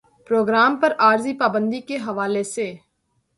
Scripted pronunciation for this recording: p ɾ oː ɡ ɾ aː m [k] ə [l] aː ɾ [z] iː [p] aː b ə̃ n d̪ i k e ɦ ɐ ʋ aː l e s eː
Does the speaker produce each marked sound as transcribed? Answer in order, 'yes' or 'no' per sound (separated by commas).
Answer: no, no, yes, yes